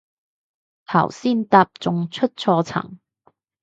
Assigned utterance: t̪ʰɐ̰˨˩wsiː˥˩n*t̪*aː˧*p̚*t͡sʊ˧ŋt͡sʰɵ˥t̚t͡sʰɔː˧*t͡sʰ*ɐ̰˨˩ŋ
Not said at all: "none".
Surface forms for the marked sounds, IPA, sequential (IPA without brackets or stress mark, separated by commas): t̪, p̚, t͡sʰ